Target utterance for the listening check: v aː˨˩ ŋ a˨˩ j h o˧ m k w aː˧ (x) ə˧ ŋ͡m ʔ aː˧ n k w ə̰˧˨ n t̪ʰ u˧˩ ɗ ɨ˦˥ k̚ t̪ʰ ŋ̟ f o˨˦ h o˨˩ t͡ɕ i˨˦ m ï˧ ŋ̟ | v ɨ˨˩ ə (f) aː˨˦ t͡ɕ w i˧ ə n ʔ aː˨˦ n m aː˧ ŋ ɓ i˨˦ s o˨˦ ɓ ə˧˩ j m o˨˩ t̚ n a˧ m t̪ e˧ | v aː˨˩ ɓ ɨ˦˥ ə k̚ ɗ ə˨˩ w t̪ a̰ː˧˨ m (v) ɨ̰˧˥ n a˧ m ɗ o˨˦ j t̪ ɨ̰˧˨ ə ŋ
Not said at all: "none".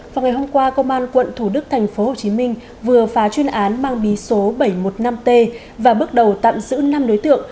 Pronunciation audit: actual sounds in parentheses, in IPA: k, f, z

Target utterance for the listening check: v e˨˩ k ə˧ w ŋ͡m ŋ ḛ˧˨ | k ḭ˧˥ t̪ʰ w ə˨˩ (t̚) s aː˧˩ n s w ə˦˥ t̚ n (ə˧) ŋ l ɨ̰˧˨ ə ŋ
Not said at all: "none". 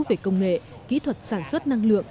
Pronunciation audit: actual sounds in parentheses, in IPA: t̚, a˧

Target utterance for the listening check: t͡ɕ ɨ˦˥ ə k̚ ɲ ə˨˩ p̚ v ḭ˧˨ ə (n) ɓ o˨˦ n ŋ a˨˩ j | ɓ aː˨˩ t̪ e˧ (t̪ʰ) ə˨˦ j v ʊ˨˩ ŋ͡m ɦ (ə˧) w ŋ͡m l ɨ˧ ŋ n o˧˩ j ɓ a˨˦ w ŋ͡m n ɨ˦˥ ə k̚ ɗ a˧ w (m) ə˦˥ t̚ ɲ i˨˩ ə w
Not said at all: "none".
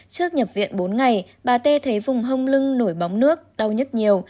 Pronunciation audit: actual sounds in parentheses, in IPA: n, t̪ʰ, ə˧, ɲ

